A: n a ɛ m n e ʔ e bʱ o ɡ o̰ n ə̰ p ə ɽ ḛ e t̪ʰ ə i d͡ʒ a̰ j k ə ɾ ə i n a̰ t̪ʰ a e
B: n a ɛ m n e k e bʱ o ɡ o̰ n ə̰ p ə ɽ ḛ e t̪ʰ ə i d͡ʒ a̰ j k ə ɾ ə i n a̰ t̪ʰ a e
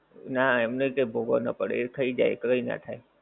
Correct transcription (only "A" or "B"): B